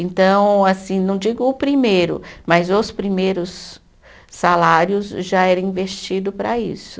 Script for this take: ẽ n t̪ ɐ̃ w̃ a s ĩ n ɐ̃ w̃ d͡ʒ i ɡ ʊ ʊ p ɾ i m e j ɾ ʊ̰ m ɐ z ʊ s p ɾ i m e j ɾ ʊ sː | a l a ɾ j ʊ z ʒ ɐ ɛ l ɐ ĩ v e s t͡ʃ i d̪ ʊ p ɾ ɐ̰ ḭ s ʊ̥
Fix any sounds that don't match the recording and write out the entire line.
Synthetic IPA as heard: ẽ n t̪ ɐ̃ w̃ a s ĩ n ɐ̃ w̃ d͡ʒ i ɡ ʊ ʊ p ɾ i m e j ɾ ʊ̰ m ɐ z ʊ s p ɾ i m e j ɾ ʊ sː | a l a ɾ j ʊ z ʒ a ɛ ɾ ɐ ĩ v e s t͡ʃ i d̪ ʊ p ɾ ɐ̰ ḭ s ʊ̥